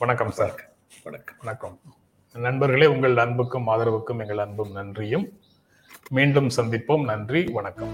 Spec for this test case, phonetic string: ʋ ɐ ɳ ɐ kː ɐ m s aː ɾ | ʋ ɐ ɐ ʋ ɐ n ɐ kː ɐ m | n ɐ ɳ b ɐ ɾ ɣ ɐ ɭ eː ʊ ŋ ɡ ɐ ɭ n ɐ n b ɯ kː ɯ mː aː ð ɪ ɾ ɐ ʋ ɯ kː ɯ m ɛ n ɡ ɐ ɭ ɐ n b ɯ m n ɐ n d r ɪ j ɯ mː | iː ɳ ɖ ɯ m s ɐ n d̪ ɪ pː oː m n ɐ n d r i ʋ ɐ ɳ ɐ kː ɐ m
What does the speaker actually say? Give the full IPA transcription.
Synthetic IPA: ʋ ɐ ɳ ɐ kː ɐ m s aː ɾ | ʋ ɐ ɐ ʋ ɐ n ɐ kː ɐ m | n ɐ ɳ b ɐ ɾ ɣ ɐ ɭ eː ʊ ŋ ɡ ɐ ɭ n ɐ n b ɯ kː ɯ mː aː ð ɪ ɾ ɐ ʋ ɯ kː ɯ m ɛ ŋ ɡ ɐ ɭ ɐ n b ɯ m n ɐ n d r ɪ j ɯ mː | iː ɳ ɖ ɯ m s ɐ n d̪ ɪ pː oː m n ɐ n d r i ʋ ɐ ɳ ɐ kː ɐ m